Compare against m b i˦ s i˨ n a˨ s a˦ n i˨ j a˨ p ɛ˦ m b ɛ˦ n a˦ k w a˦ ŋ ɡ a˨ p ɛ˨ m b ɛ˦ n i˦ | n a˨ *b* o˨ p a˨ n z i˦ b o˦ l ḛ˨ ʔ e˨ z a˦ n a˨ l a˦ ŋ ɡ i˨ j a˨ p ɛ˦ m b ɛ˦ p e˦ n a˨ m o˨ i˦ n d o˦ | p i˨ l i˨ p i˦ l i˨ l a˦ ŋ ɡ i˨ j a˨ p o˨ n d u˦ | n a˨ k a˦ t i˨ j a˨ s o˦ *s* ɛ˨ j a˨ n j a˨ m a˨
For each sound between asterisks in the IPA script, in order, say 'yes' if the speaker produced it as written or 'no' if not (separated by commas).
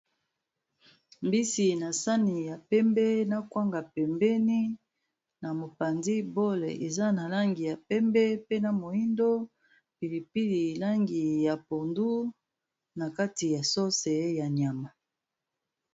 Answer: no, yes